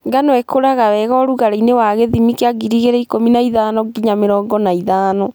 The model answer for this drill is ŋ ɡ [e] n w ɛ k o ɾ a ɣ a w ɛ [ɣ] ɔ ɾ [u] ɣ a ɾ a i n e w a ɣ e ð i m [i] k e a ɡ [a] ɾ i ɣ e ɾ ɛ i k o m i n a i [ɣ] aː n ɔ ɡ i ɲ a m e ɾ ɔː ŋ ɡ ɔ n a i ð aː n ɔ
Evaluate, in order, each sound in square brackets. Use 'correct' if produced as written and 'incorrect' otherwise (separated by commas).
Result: incorrect, correct, correct, correct, incorrect, incorrect